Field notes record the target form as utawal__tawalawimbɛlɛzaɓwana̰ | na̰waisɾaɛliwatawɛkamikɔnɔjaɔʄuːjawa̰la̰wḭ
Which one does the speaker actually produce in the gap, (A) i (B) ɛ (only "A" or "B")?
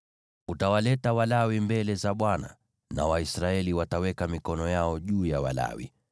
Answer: B